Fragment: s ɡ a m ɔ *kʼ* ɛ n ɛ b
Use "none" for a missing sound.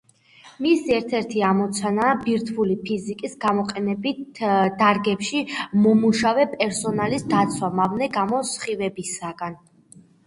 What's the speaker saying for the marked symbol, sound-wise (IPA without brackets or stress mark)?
qʼ